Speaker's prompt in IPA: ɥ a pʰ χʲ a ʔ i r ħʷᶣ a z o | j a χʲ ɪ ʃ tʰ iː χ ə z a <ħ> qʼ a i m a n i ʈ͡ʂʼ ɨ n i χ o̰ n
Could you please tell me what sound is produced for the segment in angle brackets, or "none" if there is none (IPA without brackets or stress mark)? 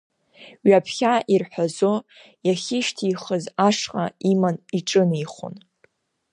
ʂ